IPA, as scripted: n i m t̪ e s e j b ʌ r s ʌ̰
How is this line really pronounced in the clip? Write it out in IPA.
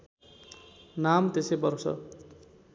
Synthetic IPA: n a m t̪ e s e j b ʌ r s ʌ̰